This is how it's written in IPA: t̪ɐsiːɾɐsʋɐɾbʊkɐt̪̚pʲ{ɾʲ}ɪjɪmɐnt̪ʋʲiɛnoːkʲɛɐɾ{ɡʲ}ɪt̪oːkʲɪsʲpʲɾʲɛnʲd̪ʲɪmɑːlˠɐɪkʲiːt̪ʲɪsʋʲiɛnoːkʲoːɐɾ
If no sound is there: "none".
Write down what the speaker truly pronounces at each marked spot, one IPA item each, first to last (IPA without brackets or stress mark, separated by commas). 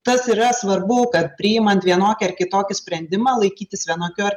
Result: ɾʲ, kʲ